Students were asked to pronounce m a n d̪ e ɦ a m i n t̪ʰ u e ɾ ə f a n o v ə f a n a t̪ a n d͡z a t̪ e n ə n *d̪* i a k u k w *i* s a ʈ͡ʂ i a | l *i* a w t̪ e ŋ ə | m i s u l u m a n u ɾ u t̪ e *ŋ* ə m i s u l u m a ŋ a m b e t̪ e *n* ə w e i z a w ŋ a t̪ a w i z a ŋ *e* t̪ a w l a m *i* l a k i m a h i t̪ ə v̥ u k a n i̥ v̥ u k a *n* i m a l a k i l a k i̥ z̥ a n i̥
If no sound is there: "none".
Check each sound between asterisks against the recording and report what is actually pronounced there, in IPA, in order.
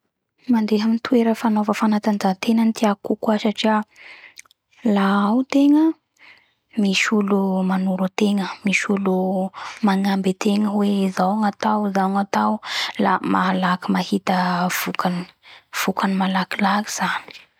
t̪, a, a, ŋ, ŋ, a, a, n

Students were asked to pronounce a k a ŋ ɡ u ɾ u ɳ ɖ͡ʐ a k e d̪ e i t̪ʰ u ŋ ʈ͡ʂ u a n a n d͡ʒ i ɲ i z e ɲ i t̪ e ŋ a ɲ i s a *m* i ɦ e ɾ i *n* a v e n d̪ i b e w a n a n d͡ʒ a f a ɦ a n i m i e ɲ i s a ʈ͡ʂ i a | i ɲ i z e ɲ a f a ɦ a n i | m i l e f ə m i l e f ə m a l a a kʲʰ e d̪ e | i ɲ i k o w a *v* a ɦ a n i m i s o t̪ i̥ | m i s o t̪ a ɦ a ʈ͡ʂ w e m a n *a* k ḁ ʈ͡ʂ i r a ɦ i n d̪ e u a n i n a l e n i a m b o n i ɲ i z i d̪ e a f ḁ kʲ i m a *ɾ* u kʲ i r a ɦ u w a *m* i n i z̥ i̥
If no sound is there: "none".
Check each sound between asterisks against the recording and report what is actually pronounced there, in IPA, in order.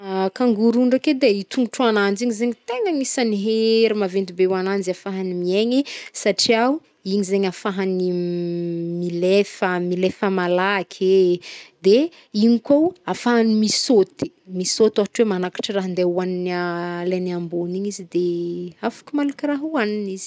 n, m, f, a, l, n

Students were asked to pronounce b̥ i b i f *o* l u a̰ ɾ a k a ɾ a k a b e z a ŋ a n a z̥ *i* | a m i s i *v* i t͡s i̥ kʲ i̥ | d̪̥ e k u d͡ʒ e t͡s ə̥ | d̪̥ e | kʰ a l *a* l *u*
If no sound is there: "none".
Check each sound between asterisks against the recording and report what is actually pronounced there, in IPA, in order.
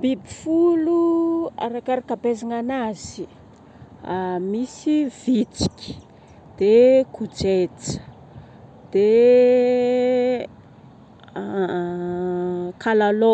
u, i, v, a, o

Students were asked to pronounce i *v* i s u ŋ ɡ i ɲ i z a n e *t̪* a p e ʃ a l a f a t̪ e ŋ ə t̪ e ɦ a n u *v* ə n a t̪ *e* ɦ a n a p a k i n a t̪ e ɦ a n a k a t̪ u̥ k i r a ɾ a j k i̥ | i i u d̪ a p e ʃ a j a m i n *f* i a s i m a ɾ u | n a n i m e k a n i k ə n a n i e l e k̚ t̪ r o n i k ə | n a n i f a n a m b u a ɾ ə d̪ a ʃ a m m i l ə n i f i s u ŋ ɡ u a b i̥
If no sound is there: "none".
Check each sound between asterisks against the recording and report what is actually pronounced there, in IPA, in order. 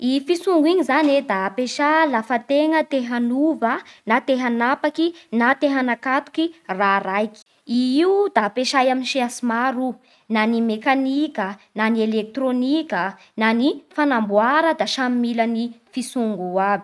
f, d̪, v, e, ʃ

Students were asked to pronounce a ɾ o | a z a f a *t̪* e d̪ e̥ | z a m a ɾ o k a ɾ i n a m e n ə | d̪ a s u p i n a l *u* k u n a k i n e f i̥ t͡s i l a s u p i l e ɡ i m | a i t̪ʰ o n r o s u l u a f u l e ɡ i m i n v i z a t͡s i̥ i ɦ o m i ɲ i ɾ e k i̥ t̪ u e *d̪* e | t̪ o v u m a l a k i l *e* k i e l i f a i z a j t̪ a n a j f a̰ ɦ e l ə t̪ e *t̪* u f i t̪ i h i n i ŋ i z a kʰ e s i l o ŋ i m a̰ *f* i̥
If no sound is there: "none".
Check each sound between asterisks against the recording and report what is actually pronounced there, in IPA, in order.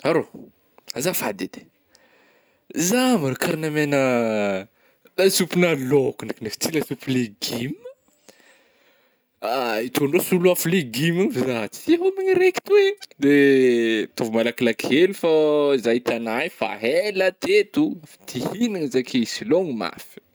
d̪, o, d̪, a, t̪, f

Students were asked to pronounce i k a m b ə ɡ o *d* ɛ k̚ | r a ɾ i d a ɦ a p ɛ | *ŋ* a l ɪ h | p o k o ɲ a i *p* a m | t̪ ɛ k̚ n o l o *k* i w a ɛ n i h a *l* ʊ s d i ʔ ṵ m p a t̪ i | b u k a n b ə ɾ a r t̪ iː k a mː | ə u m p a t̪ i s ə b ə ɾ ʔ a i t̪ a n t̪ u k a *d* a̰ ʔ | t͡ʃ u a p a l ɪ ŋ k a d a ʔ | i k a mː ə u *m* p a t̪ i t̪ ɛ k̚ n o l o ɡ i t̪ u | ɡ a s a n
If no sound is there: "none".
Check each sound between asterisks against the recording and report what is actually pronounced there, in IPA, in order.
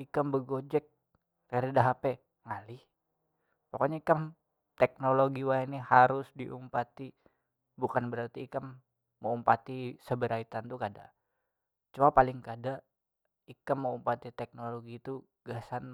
d͡ʒ, ŋ, k, ɡ, ɾ, d, m

